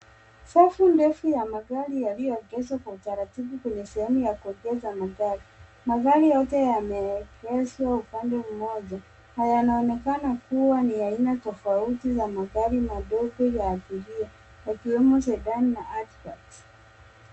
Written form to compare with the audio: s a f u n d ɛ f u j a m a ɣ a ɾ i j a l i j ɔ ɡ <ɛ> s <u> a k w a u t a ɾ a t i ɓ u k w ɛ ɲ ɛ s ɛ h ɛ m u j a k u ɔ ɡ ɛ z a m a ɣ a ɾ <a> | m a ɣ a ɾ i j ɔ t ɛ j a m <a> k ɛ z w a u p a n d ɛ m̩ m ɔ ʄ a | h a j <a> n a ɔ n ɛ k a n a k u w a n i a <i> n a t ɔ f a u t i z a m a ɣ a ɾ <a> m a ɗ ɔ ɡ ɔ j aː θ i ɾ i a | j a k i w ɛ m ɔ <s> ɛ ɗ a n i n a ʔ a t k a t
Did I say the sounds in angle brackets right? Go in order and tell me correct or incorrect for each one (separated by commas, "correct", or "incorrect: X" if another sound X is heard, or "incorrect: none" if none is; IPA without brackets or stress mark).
correct, incorrect: w, incorrect: i, incorrect: ɛ, correct, correct, incorrect: i, correct